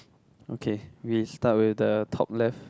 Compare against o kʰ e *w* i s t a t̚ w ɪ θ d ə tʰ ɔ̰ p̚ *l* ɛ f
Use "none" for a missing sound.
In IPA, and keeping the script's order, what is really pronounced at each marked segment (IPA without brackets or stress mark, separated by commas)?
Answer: w, l